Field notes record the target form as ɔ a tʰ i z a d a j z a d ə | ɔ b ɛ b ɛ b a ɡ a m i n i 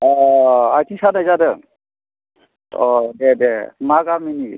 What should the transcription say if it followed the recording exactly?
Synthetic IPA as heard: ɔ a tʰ i s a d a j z a d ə | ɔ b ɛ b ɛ m a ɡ a m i n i